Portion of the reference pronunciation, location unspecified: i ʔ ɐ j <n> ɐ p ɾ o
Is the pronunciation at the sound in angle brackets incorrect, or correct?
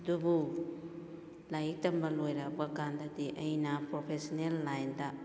correct